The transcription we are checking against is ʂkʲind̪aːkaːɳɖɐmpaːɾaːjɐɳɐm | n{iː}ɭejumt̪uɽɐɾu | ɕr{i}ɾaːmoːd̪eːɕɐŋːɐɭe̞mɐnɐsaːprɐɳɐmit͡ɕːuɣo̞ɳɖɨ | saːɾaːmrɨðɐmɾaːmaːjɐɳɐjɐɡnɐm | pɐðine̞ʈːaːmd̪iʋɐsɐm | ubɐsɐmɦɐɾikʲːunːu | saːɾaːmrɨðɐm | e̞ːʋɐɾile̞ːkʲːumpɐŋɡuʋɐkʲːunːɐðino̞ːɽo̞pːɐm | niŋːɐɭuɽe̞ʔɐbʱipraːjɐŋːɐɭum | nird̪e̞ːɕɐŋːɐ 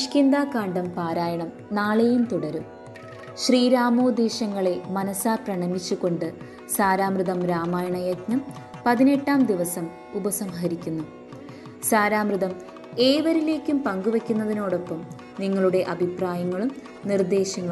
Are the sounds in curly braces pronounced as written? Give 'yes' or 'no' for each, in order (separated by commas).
no, no